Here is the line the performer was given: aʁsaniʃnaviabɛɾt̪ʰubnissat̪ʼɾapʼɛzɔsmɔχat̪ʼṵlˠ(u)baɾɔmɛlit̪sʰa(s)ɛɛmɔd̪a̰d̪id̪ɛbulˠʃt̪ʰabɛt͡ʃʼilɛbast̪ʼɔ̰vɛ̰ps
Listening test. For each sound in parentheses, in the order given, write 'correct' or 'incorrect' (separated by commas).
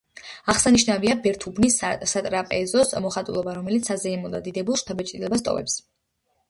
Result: incorrect, incorrect